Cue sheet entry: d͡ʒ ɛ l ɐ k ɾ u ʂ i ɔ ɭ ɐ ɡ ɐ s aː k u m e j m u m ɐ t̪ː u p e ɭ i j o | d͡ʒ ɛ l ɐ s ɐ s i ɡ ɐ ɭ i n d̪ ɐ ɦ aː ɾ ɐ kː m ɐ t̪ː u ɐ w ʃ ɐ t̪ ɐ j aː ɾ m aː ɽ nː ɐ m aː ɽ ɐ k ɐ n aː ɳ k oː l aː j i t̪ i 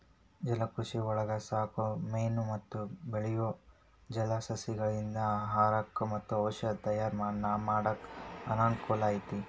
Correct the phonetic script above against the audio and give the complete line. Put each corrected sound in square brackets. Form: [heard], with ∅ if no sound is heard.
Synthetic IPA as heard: d͡ʒ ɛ l ɐ k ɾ u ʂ i ɔ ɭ ɐ ɡ ɐ s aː k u m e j [n] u m ɐ t̪ː u [b] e ɭ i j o | d͡ʒ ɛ l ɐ s ɐ s i ɡ ɐ ɭ i n d̪ ɐ ɦ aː ɾ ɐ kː m ɐ t̪ː u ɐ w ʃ ɐ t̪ ɐ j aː ɾ m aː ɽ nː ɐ m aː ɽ ɐ k ɐ n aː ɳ k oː l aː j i t̪ i

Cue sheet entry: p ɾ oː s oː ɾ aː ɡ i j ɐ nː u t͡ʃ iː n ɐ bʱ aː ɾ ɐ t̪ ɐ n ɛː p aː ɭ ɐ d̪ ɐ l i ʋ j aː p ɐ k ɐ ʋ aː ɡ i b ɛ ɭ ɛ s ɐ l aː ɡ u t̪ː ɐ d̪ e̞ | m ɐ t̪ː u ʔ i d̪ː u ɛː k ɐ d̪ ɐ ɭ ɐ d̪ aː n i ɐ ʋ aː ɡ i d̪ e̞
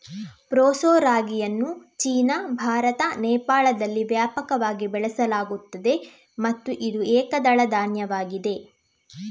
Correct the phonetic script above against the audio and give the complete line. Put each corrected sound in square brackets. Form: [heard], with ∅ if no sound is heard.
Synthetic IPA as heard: p ɾ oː s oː ɾ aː ɡ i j ɐ nː u t͡ʃ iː n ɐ bʱ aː ɾ ɐ t̪ ɐ n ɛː p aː ɭ ɐ d̪ ɐ [lː] i ʋ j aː p ɐ k ɐ ʋ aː ɡ i b ɛ ɭ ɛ s ɐ l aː ɡ u t̪ː ɐ d̪ e̞ | m ɐ t̪ː u ʔ i [d̪] u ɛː k ɐ d̪ ɐ ɭ ɐ d̪ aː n [j] ɐ ʋ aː ɡ i d̪ e̞

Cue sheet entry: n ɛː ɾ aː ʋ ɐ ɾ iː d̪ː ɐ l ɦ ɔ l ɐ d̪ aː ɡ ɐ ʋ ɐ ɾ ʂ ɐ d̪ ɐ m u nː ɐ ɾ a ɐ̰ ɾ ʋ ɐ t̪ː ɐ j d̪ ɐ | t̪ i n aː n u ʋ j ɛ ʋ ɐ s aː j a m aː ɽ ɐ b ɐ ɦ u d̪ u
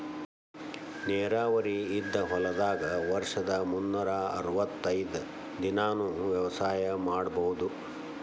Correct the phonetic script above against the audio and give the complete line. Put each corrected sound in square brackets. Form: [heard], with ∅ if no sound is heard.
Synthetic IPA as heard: n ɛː ɾ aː ʋ ɐ ɾ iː d̪ː ɐ [∅] ɦ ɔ l ɐ d̪ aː ɡ ɐ ʋ ɐ ɾ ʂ ɐ d̪ ɐ m u nː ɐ ɾ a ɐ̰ ɾ ʋ ɐ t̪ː ɐ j d̪ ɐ | [d̪] i n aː n u ʋ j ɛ ʋ ɐ s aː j [ɐ] m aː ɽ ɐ b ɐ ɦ u d̪ u

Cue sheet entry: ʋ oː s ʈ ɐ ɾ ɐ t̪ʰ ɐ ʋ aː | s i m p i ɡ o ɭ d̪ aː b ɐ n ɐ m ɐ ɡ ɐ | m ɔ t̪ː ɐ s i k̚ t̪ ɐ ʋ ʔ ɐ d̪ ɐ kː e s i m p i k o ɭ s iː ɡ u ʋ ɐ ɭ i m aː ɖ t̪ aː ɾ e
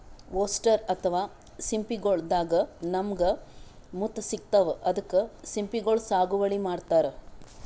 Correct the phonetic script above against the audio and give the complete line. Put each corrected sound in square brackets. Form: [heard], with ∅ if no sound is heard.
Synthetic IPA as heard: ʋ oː s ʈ ɐ ɾ ɐ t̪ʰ ɐ ʋ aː | s i m p i ɡ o ɭ d̪ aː [ɡ] ɐ n ɐ m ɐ ɡ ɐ | m [u] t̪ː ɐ s i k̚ t̪ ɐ ʋ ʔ ɐ d̪ ɐ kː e s i m p i [ɡ] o ɭ s [aː] ɡ u ʋ ɐ ɭ i m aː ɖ t̪ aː ɾ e

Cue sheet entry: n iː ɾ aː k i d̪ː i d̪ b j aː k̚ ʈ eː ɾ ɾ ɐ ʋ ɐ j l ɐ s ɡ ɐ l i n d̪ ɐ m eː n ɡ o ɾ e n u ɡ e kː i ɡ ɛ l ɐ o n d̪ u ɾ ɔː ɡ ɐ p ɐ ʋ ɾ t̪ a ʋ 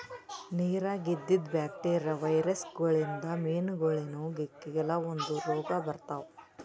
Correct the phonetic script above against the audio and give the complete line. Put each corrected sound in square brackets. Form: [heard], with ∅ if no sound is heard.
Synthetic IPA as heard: n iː ɾ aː [ɡ] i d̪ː i d̪ b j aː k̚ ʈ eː ɾ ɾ ɐ ʋ ɐ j [ɾ] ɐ s ɡ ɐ [ɭ] i n d̪ ɐ m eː n ɡ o [ɭ] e n u ɡ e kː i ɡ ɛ l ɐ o n d̪ u ɾ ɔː ɡ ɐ [b] ɐ [∅] ɾ t̪ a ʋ

